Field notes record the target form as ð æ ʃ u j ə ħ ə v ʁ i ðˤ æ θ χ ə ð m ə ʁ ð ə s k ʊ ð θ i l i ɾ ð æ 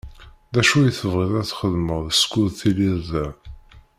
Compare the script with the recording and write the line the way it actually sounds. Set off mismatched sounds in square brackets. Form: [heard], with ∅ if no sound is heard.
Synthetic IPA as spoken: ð æ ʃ u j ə [θ] ə v ʁ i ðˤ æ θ χ ə ð m ə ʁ ð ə s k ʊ ð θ i l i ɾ ð æ